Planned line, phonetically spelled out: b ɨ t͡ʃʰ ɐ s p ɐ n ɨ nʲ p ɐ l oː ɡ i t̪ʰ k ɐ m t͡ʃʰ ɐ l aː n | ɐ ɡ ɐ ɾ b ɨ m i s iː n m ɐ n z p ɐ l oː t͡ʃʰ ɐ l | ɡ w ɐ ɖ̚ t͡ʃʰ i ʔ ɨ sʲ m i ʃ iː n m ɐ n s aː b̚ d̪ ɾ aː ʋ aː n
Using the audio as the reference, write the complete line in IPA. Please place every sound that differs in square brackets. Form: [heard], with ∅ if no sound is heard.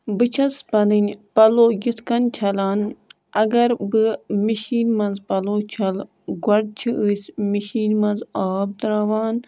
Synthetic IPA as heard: b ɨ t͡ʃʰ ɐ s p ɐ n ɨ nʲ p ɐ l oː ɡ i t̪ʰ k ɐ [n] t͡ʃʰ ɐ l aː n | ɐ ɡ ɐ ɾ b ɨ m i [ʃ] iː n m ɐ n z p ɐ l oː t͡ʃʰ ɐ l | ɡ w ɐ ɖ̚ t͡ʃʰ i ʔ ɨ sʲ m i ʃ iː n m ɐ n [z] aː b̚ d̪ ɾ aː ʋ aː n